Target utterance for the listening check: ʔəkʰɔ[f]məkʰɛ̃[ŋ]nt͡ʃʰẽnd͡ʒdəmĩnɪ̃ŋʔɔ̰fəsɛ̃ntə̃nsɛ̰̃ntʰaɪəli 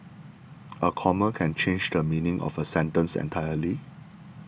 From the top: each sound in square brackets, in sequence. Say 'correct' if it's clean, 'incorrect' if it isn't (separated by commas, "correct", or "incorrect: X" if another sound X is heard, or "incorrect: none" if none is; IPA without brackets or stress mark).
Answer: incorrect: none, incorrect: none